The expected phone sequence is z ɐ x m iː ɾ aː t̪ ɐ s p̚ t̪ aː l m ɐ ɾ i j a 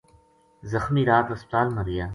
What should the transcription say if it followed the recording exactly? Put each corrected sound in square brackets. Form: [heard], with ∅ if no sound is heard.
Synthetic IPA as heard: z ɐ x m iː ɾ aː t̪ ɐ s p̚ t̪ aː l m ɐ ɾ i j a